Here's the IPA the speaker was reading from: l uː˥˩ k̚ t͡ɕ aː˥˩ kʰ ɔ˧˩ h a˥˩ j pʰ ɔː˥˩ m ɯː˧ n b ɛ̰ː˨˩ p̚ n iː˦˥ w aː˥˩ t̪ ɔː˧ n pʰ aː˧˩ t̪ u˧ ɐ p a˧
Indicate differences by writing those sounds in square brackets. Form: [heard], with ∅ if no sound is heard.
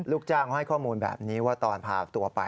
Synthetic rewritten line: l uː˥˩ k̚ t͡ɕ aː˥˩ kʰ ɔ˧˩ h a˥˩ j [kʰ] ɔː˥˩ m [uː˧] n b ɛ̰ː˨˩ p̚ n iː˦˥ w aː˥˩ t̪ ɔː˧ n pʰ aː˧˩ t̪ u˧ ɐ p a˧